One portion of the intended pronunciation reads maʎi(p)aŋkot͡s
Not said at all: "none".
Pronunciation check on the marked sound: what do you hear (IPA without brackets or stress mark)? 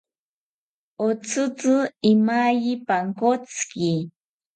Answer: p